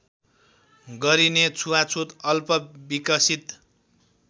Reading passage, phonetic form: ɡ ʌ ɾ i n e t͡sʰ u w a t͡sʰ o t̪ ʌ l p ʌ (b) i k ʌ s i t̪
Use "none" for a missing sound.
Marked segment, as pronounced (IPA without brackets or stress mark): b